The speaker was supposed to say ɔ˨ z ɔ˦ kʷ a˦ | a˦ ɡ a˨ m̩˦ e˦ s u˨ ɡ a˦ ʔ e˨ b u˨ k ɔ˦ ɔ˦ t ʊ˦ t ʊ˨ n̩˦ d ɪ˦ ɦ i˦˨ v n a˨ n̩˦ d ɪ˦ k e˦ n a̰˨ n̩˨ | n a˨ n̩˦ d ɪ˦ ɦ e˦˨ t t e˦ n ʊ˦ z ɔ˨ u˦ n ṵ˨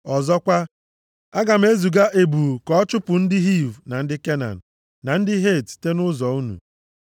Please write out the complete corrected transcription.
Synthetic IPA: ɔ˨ z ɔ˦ kʷ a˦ | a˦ ɡ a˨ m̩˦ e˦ z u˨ ɡ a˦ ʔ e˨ b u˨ k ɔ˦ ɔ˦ t͡ʃ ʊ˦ p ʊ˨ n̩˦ d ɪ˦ ɦ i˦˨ v n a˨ n̩˦ d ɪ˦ k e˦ n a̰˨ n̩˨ | n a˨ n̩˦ d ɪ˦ ɦ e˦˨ t t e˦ n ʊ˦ z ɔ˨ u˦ n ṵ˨